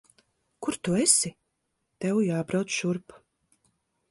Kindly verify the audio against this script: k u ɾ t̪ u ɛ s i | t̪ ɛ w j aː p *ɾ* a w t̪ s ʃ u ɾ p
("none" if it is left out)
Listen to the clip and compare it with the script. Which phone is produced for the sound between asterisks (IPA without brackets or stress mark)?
ɾ